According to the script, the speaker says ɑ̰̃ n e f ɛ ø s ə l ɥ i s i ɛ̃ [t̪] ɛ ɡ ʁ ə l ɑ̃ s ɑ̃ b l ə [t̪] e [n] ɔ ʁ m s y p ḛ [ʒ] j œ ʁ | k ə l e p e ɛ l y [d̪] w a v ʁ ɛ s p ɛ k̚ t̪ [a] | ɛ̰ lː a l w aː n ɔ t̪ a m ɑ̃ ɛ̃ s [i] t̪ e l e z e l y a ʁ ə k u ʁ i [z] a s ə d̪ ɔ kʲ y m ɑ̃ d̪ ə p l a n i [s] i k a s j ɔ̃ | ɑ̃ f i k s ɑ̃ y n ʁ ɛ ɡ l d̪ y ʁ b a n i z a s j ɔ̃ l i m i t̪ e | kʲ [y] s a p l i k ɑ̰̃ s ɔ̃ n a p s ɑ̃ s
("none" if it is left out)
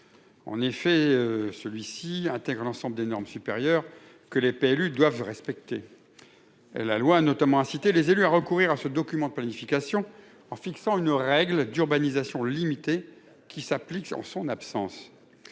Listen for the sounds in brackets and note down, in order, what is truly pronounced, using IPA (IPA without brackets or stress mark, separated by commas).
t̪, d̪, n, ʁ, d̪, e, i, ʁ, f, i